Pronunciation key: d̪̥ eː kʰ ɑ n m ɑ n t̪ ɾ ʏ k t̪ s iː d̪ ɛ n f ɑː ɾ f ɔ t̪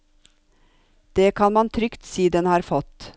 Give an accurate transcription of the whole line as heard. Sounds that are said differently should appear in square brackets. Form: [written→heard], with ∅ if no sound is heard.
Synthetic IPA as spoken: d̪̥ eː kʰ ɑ n m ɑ n [t̪→t̪ʰ] ɾ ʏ k t̪ s iː d̪ ɛ n [f→h] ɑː ɾ f ɔ t̪